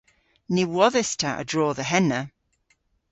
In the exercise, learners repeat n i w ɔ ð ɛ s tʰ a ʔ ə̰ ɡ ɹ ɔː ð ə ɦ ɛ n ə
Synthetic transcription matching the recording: n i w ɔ ð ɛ s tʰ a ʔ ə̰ d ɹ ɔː ð ə ɦ ɛ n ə